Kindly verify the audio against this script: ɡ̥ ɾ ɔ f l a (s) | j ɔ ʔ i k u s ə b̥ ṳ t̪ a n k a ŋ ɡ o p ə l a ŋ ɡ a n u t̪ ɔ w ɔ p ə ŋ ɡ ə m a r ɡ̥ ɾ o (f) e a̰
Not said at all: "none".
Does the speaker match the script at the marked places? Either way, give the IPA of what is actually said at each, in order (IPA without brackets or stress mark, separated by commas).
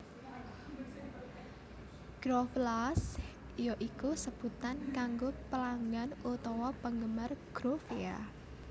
s, f